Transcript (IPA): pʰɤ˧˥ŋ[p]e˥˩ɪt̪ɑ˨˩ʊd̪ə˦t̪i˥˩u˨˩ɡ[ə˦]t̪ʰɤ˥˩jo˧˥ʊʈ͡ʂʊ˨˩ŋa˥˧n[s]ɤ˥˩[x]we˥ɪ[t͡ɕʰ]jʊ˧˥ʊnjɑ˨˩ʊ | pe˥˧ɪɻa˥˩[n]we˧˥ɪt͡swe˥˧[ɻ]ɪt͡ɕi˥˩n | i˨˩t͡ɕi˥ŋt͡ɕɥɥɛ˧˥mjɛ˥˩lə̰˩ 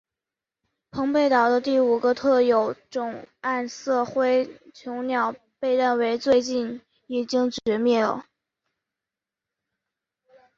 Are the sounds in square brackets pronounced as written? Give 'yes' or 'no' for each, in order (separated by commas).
yes, yes, yes, yes, yes, yes, no